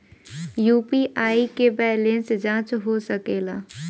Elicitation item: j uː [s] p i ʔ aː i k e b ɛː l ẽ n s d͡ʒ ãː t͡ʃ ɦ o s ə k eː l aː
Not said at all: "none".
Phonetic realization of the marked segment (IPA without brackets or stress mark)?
none